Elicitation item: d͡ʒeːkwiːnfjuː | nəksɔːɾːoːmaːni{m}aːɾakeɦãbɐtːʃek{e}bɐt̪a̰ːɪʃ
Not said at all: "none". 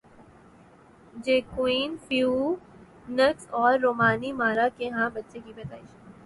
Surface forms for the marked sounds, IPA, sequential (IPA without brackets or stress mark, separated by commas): m, i